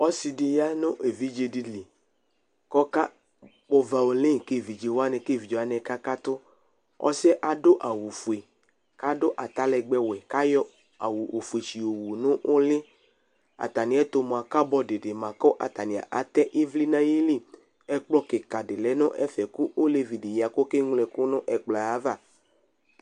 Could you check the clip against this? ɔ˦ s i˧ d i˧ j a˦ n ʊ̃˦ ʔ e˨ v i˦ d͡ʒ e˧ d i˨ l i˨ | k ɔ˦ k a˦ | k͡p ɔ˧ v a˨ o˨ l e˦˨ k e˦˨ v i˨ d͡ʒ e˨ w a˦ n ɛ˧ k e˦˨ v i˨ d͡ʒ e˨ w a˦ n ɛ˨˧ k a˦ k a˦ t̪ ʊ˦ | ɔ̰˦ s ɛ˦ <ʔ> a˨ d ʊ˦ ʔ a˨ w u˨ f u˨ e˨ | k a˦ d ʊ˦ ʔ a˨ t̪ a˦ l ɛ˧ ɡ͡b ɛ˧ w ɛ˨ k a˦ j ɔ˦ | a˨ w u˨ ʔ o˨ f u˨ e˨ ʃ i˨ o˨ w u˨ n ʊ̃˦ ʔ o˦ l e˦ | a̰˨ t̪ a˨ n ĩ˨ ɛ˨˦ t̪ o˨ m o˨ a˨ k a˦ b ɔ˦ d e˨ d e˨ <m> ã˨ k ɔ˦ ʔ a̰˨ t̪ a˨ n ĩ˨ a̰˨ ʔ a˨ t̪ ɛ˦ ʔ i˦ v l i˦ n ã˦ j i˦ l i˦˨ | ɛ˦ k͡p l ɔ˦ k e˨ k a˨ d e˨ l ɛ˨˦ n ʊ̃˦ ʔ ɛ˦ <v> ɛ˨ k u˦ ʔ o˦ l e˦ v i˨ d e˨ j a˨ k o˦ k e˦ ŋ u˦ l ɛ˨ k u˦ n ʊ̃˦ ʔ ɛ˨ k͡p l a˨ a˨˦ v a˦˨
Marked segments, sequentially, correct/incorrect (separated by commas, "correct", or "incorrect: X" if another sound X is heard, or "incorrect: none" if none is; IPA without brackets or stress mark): correct, correct, incorrect: f